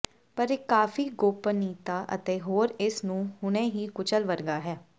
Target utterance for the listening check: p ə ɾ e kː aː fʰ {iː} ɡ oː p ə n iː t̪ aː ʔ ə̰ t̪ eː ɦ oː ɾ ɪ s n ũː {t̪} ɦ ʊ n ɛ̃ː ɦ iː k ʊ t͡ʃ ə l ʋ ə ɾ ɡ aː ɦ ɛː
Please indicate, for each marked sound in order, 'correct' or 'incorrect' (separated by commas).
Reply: correct, incorrect